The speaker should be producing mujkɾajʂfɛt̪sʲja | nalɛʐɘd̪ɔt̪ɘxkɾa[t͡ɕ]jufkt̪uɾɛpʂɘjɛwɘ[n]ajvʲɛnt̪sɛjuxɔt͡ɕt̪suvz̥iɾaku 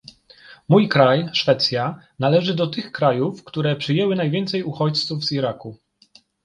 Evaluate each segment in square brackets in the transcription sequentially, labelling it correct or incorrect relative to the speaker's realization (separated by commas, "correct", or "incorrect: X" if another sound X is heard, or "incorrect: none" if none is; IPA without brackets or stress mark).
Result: incorrect: none, correct